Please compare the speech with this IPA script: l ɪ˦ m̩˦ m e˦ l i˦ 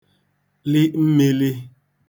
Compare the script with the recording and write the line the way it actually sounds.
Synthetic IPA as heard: l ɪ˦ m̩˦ m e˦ l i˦